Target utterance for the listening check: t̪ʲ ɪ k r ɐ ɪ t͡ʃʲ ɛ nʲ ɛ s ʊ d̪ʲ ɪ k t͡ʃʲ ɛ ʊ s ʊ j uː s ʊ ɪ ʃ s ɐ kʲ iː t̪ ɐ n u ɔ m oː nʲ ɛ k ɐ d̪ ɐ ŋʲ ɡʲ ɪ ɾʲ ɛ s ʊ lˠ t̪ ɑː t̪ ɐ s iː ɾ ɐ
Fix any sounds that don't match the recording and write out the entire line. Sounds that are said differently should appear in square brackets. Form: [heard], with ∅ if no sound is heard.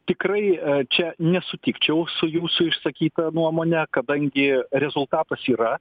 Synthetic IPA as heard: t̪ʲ ɪ k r ɐ ɪ t͡ʃʲ ɛ nʲ ɛ s ʊ [t̪ʲ] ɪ k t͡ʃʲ ɛ ʊ s ʊ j uː s ʊ ɪ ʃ s ɐ kʲ iː t̪ ɐ n u ɔ m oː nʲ ɛ k ɐ d̪ ɐ ŋʲ ɡʲ ɪ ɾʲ ɛ [z] ʊ lˠ t̪ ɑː t̪ ɐ s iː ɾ ɐ